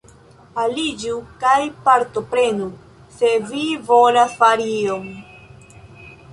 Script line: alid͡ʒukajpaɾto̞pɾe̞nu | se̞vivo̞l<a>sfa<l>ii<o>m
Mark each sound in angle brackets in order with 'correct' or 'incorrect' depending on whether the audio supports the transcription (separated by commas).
correct, incorrect, correct